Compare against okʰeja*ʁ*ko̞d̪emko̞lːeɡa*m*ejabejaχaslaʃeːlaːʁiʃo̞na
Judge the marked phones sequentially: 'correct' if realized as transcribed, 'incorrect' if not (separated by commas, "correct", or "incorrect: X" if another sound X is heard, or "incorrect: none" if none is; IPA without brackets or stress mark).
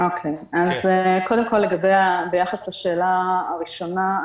incorrect: z, incorrect: b